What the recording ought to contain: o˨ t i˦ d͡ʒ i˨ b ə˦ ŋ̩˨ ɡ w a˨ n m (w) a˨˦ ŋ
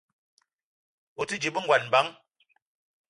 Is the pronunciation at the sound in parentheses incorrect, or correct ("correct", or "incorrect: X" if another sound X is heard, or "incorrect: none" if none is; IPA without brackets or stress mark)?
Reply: incorrect: b